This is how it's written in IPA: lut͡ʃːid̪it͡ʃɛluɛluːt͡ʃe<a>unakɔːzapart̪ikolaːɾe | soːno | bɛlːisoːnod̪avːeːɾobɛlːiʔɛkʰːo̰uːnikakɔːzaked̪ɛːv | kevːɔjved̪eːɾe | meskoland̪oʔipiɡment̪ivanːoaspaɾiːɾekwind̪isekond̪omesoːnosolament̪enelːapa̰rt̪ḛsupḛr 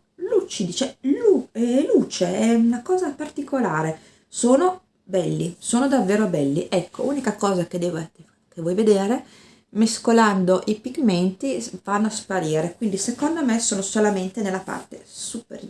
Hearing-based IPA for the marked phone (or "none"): ɛ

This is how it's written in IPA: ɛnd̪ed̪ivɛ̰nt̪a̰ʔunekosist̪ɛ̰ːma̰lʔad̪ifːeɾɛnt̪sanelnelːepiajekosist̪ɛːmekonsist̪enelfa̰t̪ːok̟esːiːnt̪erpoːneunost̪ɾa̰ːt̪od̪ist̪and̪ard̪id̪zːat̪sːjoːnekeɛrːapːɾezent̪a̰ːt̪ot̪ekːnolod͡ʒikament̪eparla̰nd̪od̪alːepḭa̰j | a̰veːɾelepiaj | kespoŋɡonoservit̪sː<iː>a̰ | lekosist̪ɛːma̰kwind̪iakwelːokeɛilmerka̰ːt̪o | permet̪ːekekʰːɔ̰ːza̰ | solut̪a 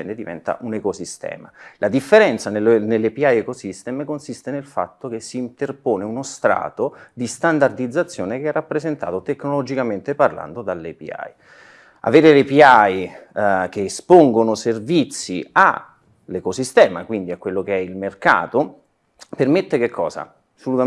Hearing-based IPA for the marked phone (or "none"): i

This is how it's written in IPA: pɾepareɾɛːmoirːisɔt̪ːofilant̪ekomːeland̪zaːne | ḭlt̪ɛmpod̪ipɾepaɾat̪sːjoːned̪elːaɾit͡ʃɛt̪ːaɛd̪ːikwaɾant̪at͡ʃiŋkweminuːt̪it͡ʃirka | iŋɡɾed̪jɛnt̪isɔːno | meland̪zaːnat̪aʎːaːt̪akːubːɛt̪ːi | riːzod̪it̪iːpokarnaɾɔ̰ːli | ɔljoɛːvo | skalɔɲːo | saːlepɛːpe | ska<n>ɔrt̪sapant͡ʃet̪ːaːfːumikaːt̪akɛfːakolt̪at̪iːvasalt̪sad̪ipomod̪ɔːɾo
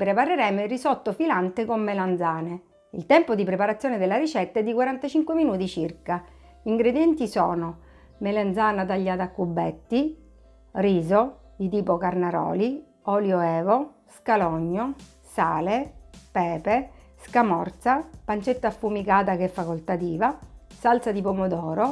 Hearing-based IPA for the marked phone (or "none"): m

